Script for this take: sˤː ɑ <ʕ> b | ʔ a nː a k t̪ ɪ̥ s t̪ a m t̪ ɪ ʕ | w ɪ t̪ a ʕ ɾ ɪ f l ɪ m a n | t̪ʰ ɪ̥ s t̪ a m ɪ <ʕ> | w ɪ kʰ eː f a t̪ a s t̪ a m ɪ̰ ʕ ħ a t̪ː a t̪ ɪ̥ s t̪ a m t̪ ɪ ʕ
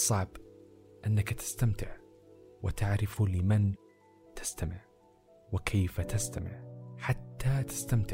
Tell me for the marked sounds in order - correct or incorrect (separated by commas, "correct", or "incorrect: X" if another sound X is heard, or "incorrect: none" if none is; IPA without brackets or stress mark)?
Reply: correct, correct